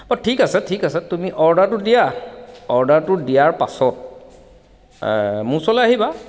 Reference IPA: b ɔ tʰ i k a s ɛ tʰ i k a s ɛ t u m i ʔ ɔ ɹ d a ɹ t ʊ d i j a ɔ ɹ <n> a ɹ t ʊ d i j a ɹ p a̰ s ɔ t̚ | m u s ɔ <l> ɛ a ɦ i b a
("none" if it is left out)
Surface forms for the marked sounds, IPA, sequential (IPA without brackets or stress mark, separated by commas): d, l